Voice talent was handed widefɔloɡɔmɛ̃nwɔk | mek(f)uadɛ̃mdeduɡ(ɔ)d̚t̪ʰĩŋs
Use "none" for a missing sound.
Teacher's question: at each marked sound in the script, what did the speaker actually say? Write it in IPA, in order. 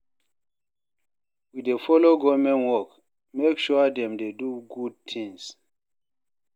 ʃ, u

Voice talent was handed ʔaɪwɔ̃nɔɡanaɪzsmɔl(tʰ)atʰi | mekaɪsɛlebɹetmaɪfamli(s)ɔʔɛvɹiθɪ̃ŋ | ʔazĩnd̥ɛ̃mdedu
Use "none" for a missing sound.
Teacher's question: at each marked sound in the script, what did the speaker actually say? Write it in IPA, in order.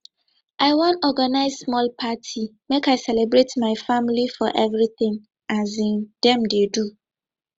pʰ, f

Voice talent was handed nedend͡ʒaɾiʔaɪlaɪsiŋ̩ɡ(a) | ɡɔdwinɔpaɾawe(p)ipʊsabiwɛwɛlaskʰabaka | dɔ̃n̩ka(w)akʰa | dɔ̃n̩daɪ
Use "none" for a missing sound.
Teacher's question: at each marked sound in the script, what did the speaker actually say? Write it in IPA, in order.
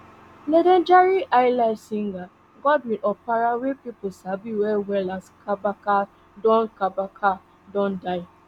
a, p, b

